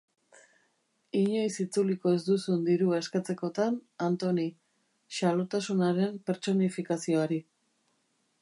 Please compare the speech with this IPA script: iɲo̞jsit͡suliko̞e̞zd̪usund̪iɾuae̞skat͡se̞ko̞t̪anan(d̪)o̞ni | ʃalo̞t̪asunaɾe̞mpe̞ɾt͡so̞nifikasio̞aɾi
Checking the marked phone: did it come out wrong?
yes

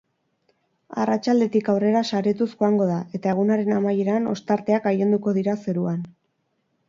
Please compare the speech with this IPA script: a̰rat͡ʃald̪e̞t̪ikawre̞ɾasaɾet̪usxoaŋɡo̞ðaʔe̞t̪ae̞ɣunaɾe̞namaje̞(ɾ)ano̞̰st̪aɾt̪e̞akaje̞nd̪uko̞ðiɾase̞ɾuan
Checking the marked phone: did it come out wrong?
no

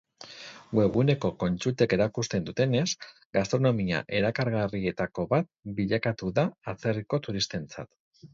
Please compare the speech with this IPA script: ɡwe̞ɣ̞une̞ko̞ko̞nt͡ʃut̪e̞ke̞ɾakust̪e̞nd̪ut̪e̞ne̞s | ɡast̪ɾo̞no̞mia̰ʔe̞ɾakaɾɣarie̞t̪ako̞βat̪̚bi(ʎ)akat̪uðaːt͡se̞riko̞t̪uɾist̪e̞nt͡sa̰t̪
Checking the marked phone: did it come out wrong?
no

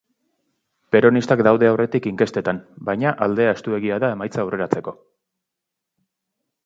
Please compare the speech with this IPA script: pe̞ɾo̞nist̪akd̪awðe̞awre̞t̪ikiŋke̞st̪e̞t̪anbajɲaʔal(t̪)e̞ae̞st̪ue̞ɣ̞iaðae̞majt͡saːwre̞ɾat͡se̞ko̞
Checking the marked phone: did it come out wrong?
yes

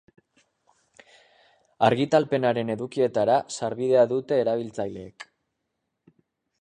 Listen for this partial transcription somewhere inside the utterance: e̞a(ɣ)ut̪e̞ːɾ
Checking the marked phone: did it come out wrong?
yes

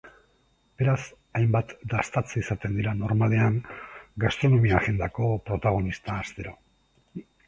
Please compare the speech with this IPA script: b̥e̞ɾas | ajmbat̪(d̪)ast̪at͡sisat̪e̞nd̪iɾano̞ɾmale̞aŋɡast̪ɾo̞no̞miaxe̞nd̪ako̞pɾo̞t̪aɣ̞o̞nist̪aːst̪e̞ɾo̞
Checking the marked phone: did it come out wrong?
no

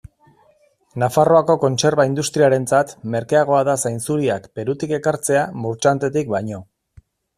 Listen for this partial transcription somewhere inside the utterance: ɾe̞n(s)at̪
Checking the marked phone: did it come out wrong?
yes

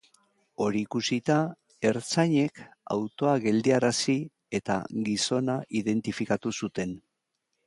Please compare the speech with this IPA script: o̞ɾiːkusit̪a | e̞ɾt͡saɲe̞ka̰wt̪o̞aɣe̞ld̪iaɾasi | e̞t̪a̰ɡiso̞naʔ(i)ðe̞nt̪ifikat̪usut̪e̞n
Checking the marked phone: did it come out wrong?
no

